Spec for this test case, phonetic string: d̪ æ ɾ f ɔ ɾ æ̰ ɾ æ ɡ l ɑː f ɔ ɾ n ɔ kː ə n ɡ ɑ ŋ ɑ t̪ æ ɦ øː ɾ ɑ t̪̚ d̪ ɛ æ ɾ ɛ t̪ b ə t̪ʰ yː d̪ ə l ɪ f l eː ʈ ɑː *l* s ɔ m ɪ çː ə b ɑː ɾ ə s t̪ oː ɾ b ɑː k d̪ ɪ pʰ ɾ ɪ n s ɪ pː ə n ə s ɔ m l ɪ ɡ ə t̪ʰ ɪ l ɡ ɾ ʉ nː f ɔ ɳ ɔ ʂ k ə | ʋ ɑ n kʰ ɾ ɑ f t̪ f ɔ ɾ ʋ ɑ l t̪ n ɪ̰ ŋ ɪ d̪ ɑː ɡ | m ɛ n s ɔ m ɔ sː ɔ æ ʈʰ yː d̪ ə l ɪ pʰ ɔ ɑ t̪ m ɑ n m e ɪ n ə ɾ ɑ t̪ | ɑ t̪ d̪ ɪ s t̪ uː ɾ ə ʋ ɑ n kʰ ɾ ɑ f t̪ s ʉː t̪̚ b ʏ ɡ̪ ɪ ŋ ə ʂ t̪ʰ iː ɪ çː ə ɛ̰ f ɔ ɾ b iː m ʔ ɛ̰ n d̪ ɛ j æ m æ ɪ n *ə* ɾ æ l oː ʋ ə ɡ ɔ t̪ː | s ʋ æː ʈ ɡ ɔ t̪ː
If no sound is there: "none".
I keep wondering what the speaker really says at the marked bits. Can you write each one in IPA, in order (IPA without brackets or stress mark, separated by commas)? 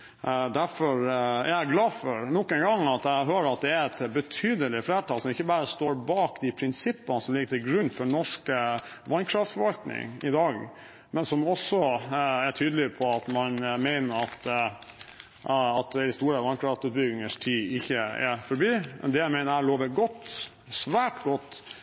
l, ə